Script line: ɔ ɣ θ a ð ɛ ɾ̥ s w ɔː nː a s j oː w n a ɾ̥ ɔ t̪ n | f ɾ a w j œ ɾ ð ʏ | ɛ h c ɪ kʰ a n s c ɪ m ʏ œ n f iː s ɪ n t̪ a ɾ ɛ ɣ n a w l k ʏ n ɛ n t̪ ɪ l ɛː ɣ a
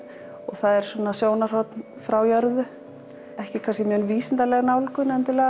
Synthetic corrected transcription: ɔ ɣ θ a ð ɛ ɾ̥ s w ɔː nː a s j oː w n a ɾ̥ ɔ t̪ n | f ɾ a w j œ ɾ ð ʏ | ɛ h c ɪ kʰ a n s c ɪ m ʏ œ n v iː s ɪ n t̪ a l ɛ ɣ n a w l k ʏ n ɛ n t̪ ɪ l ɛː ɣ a